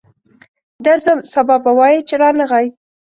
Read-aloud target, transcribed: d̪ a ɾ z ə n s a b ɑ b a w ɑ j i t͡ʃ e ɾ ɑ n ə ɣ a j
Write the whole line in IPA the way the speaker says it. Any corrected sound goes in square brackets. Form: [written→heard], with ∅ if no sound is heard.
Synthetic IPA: d̪ a ɾ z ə [n→m] s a b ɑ b a w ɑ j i t͡ʃ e ɾ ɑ n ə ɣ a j